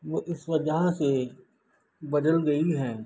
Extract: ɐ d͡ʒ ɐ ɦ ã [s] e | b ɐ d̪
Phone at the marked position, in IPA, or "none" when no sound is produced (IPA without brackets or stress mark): s